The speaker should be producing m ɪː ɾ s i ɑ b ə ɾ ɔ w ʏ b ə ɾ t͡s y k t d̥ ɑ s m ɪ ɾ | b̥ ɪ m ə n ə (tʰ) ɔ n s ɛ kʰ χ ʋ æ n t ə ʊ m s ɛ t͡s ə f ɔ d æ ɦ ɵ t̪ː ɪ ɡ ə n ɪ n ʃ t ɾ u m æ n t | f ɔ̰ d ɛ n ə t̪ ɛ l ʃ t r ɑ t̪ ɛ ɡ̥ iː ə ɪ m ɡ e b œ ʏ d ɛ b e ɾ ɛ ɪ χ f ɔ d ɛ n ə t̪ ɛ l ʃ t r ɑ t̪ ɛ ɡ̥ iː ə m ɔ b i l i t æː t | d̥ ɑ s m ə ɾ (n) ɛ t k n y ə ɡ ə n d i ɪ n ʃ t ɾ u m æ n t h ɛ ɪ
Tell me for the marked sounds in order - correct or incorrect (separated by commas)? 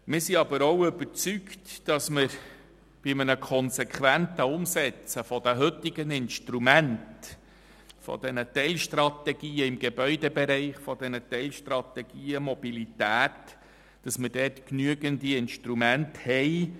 incorrect, incorrect